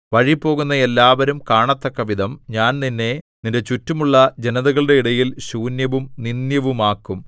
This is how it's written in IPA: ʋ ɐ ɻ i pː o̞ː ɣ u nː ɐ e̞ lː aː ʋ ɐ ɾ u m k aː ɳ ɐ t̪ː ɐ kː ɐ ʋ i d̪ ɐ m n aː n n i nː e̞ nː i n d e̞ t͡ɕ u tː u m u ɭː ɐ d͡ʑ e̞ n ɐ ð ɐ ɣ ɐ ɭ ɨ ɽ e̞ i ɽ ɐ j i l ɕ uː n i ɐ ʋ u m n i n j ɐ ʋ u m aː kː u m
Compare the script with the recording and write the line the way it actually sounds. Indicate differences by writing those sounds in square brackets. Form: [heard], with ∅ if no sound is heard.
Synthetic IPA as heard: ʋ ɐ ɻ i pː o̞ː ɣ u nː ɐ e̞ lː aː ʋ ɐ ɾ u m k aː ɳ ɐ t̪ː ɐ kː ɐ ʋ i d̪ ɐ m [ɲ] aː n n i nː e̞ [n] i n d e̞ t͡ɕ u tː u m u ɭː ɐ d͡ʑ e̞ n ɐ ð ɐ ɣ ɐ ɭ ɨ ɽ e̞ i ɽ ɐ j i l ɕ uː n [j] ɐ ʋ u m n i n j ɐ ʋ u m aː kː u m